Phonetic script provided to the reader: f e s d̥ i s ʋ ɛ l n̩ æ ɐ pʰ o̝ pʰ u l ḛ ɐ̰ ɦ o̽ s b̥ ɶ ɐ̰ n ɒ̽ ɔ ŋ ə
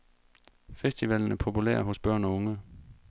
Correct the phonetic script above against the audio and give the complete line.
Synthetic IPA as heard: f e s d̥ i ʋ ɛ l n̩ æ ɐ pʰ o̝ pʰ u l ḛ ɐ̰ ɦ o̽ s b̥ ɶ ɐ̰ n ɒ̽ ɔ ŋ ə